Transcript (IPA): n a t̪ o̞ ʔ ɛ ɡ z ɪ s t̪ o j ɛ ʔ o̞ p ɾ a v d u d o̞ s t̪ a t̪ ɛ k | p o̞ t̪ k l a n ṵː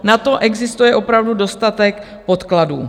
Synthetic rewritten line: n a t̪ o̞ ʔ ɛ ɡ z ɪ s t̪ u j ɛ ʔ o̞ p ɾ a v d u d o̞ s t̪ a t̪ ɛ k | p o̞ t̪ k l a d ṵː